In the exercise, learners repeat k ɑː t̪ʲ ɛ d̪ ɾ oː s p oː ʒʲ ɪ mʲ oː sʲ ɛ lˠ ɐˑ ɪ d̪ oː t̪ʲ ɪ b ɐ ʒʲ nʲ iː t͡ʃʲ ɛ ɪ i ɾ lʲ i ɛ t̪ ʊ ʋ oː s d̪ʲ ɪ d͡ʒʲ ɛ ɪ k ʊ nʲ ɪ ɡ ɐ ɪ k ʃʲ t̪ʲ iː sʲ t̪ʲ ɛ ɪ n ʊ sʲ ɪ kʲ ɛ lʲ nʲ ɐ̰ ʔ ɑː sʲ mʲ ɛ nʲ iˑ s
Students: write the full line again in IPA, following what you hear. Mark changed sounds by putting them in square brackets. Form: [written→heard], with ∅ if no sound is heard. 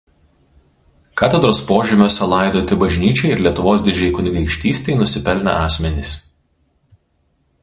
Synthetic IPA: k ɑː t̪ʲ ɛ d̪ ɾ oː s p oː ʒʲ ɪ mʲ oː sʲ ɛ lˠ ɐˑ ɪ d̪ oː t̪ʲ ɪ b ɐ ʒʲ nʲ iː t͡ʃʲ ɛ ɪ [i→ɪ] ɾ lʲ i ɛ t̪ ʊ ʋ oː s d̪ʲ ɪ d͡ʒʲ ɛ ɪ k ʊ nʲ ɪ ɡ ɐ ɪ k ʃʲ t̪ʲ iː sʲ t̪ʲ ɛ ɪ n ʊ sʲ ɪ [kʲ→pʲ] ɛ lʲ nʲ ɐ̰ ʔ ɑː sʲ mʲ ɛ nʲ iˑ s